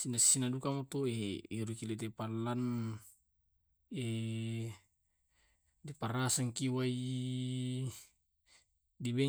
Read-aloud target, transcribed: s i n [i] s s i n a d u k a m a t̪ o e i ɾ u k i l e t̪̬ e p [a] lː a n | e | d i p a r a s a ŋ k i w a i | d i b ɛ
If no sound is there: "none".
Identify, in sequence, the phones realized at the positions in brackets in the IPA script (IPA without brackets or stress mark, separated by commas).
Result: a, a